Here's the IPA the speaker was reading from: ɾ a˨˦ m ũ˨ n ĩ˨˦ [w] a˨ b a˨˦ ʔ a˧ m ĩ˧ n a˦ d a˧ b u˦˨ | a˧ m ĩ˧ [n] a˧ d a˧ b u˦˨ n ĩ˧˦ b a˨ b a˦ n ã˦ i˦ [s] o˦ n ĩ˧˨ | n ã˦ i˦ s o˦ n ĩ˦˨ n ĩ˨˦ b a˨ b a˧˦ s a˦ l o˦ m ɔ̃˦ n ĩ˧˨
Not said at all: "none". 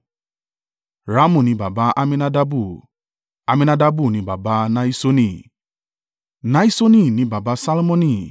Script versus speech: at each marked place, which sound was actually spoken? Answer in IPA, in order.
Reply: b, n, s

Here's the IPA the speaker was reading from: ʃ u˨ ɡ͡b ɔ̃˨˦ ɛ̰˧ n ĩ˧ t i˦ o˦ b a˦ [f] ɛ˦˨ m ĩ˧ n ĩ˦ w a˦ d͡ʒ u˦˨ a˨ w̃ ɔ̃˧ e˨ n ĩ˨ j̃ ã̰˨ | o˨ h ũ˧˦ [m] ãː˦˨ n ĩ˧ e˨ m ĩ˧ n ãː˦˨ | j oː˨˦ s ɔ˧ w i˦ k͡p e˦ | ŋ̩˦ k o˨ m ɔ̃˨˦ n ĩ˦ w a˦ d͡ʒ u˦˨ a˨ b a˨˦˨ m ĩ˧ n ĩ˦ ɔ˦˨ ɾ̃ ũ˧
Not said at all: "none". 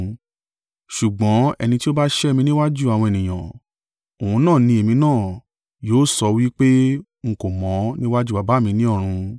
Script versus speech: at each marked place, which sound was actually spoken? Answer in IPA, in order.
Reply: ʃ, n

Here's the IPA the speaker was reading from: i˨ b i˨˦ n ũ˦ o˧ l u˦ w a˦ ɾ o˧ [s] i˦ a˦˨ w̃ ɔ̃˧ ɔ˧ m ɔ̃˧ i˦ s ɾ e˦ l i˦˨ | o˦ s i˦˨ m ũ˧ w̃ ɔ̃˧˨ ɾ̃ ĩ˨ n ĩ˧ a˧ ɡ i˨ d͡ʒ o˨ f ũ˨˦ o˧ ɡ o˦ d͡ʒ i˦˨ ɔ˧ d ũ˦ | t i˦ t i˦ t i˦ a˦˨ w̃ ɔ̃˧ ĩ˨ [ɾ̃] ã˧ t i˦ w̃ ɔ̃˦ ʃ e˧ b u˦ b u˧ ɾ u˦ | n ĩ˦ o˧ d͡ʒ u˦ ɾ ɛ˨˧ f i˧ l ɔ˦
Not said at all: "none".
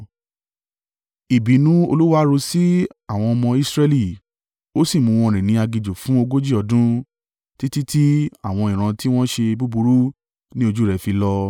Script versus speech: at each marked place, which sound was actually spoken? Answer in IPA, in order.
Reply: s, ɾ̃

